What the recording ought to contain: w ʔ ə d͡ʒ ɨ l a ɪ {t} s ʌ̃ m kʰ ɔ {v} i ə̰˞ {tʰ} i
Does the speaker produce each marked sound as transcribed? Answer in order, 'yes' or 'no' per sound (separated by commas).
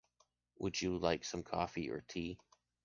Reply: no, no, yes